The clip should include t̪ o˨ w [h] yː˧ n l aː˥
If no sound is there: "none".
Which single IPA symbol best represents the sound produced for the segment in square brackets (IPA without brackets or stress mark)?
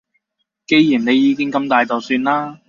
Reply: s